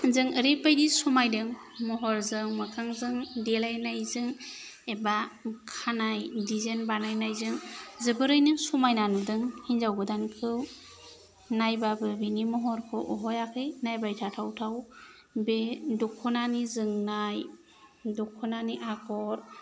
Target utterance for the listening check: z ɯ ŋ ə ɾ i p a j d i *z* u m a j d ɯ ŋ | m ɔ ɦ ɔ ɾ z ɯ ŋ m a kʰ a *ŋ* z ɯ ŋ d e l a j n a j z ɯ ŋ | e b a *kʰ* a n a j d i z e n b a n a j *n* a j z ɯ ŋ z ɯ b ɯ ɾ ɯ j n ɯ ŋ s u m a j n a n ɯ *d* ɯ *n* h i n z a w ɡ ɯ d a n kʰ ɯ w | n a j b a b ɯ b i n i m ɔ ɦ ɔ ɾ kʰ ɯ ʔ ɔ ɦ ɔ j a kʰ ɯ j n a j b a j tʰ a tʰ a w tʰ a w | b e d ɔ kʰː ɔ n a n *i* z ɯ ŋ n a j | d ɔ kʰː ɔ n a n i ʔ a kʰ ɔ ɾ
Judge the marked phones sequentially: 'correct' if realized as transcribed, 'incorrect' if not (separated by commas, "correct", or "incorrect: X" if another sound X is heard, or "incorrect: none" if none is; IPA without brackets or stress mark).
incorrect: s, correct, correct, correct, correct, incorrect: ŋ, correct